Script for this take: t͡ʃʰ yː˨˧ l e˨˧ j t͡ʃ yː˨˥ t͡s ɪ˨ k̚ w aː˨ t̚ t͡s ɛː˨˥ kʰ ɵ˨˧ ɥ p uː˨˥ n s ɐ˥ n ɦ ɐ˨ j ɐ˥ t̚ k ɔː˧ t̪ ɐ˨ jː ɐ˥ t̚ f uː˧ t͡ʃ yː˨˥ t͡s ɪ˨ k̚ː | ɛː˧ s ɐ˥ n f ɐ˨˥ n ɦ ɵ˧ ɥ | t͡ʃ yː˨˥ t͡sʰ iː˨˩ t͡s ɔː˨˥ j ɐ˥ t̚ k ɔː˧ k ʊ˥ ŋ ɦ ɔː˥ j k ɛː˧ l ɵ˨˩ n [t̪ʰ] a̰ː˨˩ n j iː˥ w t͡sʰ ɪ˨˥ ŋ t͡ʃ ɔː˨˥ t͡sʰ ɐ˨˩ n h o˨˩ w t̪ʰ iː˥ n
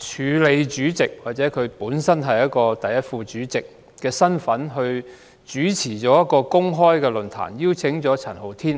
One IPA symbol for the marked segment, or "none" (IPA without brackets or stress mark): t̪ʰ